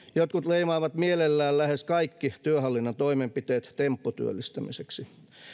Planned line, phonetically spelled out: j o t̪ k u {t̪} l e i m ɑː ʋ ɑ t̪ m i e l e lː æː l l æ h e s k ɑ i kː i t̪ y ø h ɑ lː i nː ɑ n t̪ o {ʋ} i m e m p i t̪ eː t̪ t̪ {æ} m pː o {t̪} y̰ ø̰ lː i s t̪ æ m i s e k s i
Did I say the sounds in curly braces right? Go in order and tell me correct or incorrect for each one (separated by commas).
correct, incorrect, incorrect, correct